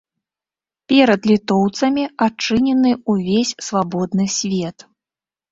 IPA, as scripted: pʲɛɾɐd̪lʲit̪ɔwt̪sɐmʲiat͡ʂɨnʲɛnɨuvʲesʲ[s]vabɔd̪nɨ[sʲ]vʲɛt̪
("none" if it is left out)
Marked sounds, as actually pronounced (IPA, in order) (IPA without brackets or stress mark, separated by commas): s, sʲ